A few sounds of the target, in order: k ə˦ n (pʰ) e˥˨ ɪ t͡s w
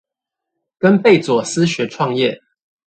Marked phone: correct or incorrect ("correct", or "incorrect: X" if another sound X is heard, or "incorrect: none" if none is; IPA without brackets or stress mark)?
incorrect: p